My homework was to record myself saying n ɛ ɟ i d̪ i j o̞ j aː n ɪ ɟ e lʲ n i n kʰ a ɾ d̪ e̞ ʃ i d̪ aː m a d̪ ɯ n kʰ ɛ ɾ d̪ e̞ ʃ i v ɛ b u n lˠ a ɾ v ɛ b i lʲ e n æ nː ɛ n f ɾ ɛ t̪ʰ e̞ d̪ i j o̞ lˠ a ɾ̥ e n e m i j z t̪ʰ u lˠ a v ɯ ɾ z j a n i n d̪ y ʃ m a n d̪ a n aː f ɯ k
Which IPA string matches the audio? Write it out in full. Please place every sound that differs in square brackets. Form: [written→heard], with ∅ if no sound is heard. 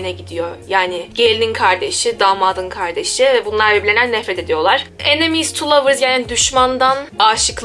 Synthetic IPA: n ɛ ɟ i d̪ i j o̞ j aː n ɪ ɟ e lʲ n i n kʰ a ɾ d̪ e̞ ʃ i d̪ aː m a d̪ ɯ n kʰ [ɛ→a] ɾ d̪ e̞ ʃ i v ɛ b u n lˠ a ɾ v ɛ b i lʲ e n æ nː ɛ [n→∅] f ɾ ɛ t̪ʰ e̞ d̪ i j o̞ lˠ a ɾ̥ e n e m i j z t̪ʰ u lˠ a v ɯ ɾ z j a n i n d̪ y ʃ m a n d̪ a n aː [f→ʃ] ɯ k